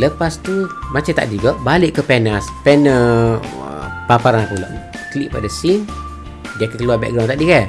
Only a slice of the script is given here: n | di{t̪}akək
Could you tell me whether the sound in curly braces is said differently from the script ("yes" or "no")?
yes